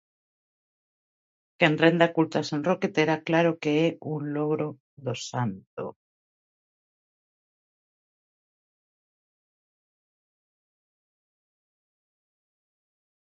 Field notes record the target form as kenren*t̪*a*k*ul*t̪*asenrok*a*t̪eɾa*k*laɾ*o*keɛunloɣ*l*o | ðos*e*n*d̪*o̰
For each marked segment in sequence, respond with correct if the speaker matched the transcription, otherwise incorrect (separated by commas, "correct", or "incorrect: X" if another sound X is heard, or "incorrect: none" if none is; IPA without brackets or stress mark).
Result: incorrect: d̪, correct, correct, incorrect: e, correct, correct, incorrect: ɾ, incorrect: a, incorrect: t̪